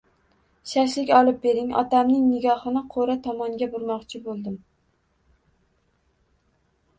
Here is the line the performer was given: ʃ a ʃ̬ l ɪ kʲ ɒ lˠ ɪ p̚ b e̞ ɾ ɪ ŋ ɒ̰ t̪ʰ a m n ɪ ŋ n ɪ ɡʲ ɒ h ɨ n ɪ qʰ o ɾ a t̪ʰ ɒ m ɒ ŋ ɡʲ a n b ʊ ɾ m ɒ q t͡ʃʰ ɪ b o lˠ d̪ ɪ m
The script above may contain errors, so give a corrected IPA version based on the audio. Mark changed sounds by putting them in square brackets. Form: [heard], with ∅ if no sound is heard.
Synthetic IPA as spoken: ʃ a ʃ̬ l ɪ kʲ ɒ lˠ ɪ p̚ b e̞ ɾ ɪ ŋ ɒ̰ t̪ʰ a m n ɪ ŋ n ɪ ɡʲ ɒ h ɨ n ɪ qʰ o ɾ a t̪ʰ ɒ m ɒ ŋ ɡʲ a [∅] b ʊ ɾ m ɒ q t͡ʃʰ ɪ b o lˠ d̪ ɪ m